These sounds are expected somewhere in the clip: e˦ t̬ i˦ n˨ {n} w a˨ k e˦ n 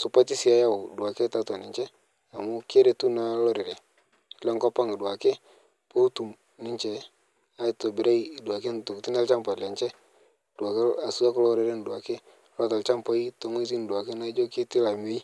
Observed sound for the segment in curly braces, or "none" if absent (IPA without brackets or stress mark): d